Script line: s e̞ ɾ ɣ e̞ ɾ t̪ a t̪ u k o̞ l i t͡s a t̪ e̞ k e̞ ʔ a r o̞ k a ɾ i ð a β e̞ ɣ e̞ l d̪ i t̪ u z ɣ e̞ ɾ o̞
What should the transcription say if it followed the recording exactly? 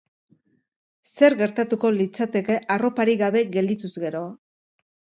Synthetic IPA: s e̞ ɾ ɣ e̞ ɾ t̪ a t̪ u k o̞ l i t͡s a t̪ e̞ k e̞ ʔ a r o̞ p a ɾ i ɣ a β e̞ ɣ e̞ l d̪ i t̪ u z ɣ e̞ ɾ o̞